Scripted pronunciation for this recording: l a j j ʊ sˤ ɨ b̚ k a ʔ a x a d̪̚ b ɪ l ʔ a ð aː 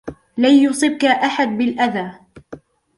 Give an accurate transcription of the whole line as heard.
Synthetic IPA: l a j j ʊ sˤ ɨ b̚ k a ʔ a ħ a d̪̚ b ɪ l ʔ a ð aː